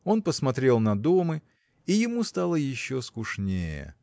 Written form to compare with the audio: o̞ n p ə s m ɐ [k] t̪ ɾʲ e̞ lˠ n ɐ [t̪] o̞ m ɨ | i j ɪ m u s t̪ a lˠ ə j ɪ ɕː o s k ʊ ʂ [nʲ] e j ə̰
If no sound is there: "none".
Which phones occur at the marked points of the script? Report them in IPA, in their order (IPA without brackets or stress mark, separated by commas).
none, d̪, nʲ